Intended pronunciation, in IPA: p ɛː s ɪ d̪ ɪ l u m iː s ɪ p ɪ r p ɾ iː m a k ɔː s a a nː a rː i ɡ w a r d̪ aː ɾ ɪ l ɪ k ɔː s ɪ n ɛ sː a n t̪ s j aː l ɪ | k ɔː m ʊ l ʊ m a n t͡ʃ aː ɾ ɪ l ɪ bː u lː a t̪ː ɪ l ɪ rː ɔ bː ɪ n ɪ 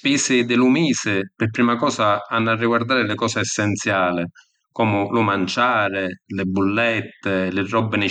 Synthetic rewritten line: p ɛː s ɪ d̪ ɪ l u m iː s ɪ p ɪ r p ɾ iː m a k ɔː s a a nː a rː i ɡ w a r d̪ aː ɾ ɪ l ɪ k ɔː s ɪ ɛ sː ɛ n t̪ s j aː l ɪ | k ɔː m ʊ l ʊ m a n t͡ʃ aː ɾ ɪ l ɪ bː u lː ɛ t̪ː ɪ l ɪ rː ɔ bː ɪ n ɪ

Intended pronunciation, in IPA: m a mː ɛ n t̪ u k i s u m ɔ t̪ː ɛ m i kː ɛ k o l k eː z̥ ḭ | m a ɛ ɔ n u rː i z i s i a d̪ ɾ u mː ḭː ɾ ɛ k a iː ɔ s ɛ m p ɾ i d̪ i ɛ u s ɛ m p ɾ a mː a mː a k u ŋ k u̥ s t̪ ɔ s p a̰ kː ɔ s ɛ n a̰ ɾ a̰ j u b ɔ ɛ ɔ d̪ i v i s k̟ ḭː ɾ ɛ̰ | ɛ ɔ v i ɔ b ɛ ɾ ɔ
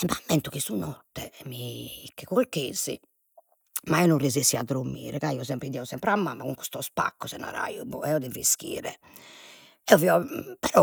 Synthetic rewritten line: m a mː ɛ n t̪ u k i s u n ɔ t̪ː ɛ m i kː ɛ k o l k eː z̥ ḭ | m a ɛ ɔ n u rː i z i s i a d̪ ɾ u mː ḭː ɾ ɛ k a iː ɔ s ɛ m p ɾ i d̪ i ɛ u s ɛ m p ɾ a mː a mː a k u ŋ k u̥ s t̪ ɔ s p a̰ kː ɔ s ɛ n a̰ ɾ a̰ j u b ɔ ɛ ɔ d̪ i v i s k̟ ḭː ɾ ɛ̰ | ɛ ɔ v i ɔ p ɛ ɾ ɔ

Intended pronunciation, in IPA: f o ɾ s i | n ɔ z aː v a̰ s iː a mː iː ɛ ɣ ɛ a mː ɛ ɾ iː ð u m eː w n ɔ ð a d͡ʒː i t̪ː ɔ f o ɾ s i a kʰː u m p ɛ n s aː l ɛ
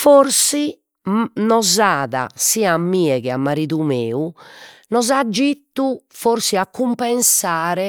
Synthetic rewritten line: f o ɾ s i | n ɔ z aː ð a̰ s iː a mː iː ɛ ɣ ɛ a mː a ɾ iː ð u m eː u n ɔ z a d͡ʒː i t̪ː u f o ɾ s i a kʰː u m p ɛ n s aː ɾ ɛ

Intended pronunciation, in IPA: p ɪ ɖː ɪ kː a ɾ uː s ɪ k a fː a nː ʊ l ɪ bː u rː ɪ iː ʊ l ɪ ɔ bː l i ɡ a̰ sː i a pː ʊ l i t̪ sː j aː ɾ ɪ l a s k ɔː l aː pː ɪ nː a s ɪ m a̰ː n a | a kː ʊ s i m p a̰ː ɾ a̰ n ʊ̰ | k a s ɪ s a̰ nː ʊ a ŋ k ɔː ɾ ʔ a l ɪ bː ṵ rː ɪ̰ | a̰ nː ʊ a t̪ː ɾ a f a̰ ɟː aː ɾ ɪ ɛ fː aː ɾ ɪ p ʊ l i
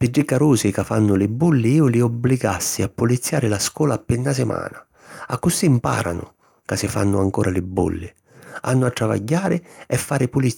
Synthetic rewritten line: p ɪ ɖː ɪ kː a ɾ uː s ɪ k a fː a nː ʊ l ɪ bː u lː ɪ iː ʊ l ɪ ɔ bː l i ɡ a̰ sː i a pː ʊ l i t̪ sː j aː ɾ ɪ l a s k ɔː l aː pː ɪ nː a s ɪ m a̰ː n a | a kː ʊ s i m p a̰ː ɾ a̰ n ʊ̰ | k a s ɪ f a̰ nː ʊ a ŋ k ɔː ɾ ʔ a l ɪ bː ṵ lː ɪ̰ | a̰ nː ʊ a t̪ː ɾ a v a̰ ɟː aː ɾ ɪ ɛ fː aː ɾ ɪ p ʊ l i

